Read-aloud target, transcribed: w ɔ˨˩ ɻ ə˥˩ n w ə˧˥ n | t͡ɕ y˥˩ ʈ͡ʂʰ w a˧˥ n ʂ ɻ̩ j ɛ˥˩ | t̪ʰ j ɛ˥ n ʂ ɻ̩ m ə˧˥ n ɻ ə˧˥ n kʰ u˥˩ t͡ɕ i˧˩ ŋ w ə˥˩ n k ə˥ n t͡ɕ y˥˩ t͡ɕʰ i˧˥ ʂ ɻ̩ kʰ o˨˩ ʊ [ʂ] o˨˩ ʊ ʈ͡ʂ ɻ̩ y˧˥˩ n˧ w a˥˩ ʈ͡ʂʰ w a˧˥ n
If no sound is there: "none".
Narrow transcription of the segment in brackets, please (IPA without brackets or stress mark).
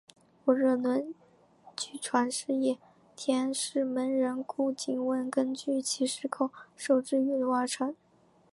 ʂ